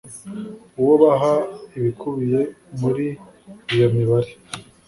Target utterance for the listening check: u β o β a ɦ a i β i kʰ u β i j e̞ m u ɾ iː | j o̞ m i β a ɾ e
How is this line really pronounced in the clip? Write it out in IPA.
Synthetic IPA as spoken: u w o β a ɦ a i β i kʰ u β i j e̞ m u ɾ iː | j o̞ m i β a ɾ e